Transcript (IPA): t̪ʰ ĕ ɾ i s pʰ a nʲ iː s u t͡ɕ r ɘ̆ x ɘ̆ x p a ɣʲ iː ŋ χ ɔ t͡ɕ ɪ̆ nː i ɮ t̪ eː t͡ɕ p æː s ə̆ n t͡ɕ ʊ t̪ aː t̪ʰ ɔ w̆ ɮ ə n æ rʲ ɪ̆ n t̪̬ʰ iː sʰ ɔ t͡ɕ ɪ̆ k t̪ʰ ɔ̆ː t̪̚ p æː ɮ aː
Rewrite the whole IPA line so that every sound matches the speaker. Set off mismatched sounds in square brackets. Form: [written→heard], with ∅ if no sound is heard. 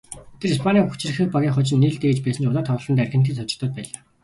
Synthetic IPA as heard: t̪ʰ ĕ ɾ i s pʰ a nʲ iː [s→x] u t͡ɕ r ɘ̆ x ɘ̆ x p a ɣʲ iː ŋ χ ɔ t͡ɕ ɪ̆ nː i ɮ t̪ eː t͡ɕ p æː s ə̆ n t͡ɕ ʊ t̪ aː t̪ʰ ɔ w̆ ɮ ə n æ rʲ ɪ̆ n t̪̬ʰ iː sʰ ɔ t͡ɕ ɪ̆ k [t̪ʰ→t̪] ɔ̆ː t̪̚ p æː ɮ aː